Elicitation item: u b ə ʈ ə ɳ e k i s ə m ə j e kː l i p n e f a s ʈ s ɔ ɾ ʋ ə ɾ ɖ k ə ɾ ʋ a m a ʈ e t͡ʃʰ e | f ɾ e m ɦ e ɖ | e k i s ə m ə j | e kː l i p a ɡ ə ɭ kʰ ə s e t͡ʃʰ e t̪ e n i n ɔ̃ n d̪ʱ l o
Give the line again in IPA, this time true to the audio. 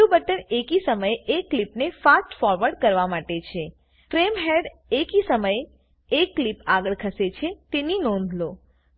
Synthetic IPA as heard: u b ə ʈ ə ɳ e k i s ə m ə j e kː l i p n e f a s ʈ f ɔ ɾ ʋ ə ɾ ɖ k ə ɾ ʋ a m a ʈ e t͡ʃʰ e | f ɾ e m ɦ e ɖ | e k i s ə m ə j | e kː l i p a ɡ ə ɭ kʰ ə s e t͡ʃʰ e t̪ e n i n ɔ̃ n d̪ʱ l o